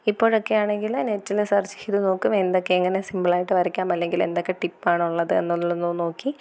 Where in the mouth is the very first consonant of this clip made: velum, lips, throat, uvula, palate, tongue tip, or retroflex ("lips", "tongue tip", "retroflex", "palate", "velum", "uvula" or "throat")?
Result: lips